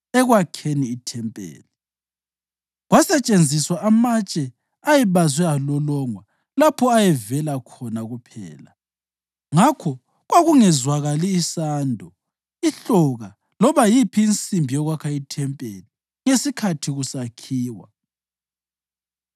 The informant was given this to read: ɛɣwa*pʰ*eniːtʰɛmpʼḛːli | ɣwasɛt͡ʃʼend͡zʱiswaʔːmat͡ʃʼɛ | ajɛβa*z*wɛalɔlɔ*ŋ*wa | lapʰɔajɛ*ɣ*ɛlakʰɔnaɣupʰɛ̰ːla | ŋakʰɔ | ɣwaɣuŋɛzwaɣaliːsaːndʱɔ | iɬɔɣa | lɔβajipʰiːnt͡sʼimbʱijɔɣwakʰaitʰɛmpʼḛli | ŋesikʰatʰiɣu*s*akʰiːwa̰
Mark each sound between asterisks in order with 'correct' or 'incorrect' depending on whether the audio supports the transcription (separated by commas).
incorrect, correct, correct, incorrect, correct